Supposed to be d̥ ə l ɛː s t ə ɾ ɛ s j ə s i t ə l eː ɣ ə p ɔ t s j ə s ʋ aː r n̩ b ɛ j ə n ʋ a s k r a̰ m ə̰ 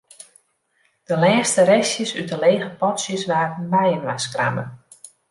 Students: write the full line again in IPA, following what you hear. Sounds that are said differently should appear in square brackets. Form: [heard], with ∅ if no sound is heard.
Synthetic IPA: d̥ ə l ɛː s t ə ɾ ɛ s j ə s [y] t ə l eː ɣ ə p ɔ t s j ə s ʋ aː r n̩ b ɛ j ə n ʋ a s k r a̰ m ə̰